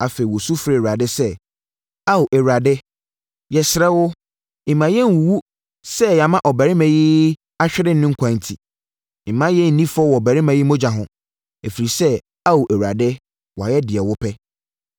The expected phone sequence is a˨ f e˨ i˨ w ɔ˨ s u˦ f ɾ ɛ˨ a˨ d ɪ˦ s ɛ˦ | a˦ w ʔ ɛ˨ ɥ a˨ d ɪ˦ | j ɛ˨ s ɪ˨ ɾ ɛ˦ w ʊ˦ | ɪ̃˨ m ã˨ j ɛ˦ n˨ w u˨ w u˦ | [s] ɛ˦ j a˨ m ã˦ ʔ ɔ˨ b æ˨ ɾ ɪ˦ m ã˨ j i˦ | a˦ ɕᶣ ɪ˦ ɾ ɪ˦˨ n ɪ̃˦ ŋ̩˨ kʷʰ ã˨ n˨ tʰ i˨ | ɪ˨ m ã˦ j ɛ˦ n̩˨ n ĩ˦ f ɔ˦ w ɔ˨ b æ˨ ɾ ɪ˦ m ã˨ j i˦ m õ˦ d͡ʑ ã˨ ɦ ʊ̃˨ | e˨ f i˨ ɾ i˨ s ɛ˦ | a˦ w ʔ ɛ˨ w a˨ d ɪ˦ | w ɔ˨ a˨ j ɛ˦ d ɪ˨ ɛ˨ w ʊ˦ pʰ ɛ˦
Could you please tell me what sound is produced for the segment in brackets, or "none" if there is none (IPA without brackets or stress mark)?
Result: s